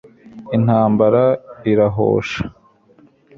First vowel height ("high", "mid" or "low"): high